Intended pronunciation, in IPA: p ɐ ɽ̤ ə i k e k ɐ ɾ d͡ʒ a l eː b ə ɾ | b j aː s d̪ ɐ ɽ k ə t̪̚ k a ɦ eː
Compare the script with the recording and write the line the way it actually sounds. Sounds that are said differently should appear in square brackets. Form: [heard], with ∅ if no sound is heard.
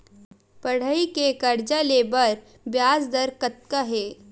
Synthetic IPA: p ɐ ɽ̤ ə i k e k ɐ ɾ d͡ʒ a l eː b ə ɾ | b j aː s d̪ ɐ [ɾ] k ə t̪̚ k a ɦ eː